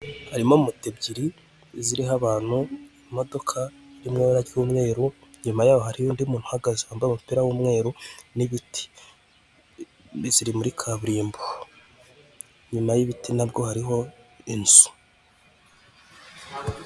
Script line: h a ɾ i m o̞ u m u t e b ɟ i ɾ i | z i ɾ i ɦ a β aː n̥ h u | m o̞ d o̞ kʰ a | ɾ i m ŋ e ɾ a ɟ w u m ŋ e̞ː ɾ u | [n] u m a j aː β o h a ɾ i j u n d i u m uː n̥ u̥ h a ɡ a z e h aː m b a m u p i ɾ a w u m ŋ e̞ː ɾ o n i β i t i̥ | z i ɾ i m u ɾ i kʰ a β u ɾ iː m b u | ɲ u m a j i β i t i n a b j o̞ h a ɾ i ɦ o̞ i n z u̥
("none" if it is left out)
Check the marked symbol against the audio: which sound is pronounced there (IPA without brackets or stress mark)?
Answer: ɲ